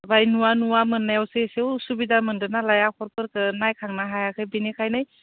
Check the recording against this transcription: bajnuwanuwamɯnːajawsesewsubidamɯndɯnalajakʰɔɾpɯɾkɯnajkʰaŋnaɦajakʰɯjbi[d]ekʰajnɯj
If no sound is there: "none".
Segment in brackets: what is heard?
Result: n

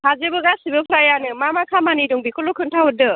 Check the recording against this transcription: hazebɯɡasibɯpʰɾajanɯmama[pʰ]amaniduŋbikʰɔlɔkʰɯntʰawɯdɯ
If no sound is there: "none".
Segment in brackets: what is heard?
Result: kʰ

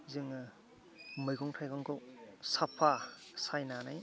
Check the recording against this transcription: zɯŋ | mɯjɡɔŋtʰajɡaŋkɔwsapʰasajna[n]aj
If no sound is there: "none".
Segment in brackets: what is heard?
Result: n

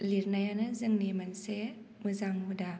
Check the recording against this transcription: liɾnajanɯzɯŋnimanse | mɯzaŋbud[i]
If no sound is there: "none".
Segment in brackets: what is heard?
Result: a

